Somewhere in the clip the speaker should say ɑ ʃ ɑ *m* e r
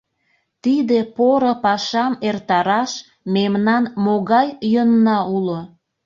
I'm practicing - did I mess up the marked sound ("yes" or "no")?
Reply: no